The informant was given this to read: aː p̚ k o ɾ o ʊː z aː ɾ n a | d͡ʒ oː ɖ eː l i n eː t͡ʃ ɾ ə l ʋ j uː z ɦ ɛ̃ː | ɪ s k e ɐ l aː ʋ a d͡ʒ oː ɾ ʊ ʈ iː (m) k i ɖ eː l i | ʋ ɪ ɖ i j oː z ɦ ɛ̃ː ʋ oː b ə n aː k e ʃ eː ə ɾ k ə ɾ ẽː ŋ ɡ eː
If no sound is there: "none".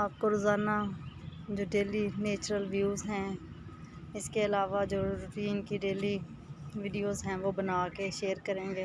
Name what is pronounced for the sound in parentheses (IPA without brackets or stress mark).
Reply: n